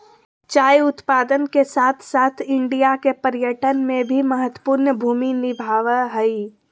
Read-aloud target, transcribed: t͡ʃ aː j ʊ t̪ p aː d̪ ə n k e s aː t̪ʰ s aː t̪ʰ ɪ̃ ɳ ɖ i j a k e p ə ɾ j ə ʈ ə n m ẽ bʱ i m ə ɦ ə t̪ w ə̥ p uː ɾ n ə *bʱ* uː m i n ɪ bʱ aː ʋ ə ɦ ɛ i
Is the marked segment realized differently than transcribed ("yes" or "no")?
no